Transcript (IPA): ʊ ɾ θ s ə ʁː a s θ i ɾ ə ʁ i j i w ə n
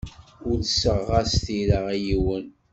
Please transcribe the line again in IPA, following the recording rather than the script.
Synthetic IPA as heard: ʊ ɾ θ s ə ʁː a s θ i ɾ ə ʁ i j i w ə n